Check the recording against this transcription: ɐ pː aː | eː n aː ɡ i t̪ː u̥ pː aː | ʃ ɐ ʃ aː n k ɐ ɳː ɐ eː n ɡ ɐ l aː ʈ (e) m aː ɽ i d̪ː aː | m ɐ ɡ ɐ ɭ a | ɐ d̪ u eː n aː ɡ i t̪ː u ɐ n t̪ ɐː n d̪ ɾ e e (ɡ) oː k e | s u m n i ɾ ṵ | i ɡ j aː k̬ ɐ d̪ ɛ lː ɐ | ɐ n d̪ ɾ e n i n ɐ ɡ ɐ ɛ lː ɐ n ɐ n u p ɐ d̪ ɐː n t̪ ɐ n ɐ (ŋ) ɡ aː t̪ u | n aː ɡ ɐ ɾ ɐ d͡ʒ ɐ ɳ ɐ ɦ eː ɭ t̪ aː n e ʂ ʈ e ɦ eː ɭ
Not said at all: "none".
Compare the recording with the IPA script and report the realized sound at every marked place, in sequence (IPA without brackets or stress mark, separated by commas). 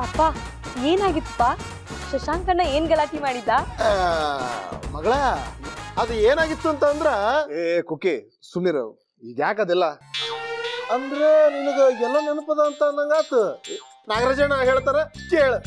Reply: i, k, ŋ